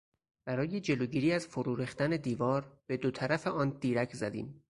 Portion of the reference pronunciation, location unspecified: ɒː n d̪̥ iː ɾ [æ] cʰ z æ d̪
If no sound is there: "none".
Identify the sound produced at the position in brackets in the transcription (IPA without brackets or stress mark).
æ